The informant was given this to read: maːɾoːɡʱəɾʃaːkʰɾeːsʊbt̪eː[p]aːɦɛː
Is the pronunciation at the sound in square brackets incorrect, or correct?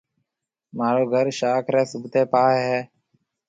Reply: correct